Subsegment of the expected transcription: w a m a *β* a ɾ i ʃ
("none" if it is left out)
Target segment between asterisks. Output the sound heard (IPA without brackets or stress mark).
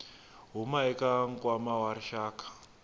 w